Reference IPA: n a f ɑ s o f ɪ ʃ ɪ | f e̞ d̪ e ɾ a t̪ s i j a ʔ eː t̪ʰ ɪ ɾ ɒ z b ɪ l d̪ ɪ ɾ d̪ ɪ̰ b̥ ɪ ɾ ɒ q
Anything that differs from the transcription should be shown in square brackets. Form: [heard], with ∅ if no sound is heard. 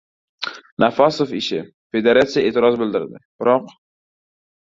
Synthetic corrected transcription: n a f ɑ s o f ɪ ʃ ɪ | f e̞ d̪ e ɾ a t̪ s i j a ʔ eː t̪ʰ ɪ ɾ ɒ z b ɪ l d̪ ɪ ɾ d̪ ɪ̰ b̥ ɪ ɾ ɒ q